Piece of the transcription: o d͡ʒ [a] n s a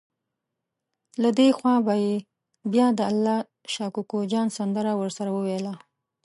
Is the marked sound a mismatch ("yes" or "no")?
yes